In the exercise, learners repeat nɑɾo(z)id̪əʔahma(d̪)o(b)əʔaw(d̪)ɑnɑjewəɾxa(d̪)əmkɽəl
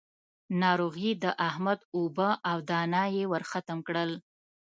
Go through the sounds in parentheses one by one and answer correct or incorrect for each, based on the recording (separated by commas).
incorrect, correct, correct, correct, incorrect